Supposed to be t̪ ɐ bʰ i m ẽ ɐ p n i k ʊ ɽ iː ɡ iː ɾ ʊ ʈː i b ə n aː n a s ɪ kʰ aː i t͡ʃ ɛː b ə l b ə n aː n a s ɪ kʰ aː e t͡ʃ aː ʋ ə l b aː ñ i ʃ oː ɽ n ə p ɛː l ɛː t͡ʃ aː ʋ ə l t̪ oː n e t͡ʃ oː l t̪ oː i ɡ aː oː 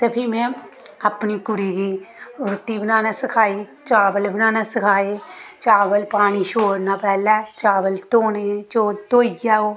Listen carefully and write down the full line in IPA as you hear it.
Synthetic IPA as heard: t̪ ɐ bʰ i m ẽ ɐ p n i k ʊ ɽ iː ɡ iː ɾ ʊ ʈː i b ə n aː n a s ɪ kʰ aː i t͡ʃ aː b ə l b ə n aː n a s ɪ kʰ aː e t͡ʃ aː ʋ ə l p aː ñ i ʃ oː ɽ n a p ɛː l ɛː t͡ʃ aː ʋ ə l t̪ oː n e t͡ʃ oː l t̪ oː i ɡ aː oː